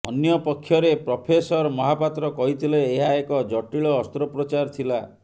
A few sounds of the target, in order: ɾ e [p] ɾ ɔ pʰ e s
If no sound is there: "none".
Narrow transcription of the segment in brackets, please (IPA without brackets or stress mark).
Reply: p